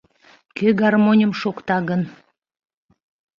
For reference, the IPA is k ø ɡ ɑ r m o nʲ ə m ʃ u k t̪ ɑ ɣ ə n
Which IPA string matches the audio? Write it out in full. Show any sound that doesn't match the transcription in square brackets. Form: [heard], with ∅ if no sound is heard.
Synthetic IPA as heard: k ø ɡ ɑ r m o nʲ ə m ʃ [o] k t̪ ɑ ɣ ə n